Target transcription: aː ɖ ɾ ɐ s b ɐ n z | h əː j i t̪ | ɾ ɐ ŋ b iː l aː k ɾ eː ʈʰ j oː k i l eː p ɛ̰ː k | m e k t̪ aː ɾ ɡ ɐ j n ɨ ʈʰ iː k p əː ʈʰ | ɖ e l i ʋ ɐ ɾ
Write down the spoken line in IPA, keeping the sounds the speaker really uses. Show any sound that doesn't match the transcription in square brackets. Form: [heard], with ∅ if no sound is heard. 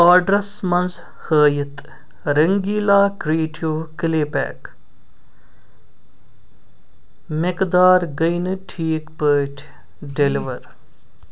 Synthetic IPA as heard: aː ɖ ɾ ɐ s [m] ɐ n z | h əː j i t̪ | ɾ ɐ ŋ [ɡ] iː l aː k ɾ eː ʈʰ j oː k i l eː p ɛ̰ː k | m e k [d̪] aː ɾ ɡ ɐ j n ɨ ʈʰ iː k p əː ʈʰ | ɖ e l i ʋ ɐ ɾ